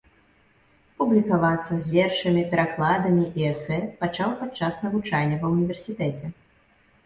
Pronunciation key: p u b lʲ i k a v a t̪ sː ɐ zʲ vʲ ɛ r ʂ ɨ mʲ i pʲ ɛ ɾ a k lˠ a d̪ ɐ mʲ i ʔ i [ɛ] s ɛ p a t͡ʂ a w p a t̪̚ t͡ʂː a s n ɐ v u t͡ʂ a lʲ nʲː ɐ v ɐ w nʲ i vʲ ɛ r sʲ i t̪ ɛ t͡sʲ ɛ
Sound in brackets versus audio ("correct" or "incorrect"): correct